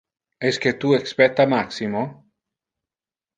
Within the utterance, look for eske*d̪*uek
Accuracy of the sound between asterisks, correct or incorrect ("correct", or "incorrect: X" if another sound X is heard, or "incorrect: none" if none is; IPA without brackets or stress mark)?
incorrect: t̪